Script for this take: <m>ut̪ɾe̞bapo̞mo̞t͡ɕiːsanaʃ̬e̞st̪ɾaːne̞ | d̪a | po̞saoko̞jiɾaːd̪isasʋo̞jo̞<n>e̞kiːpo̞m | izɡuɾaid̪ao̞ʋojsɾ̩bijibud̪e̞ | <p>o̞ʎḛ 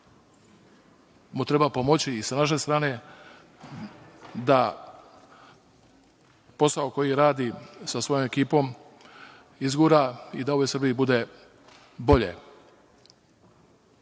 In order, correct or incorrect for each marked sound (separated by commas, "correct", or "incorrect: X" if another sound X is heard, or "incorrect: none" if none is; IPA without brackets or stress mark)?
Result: correct, incorrect: m, incorrect: b